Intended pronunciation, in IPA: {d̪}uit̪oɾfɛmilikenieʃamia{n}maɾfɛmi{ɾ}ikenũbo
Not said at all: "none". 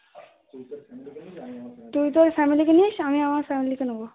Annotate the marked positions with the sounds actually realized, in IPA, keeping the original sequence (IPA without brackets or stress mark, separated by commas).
t̪, none, l